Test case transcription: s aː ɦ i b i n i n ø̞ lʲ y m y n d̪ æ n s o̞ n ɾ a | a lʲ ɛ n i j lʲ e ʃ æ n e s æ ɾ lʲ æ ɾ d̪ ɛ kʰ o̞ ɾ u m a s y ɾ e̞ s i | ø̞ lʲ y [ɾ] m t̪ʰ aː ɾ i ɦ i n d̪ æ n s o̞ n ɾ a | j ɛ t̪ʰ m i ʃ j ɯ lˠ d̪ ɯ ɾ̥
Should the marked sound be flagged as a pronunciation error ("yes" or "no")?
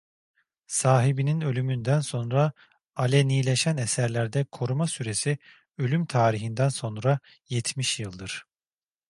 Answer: yes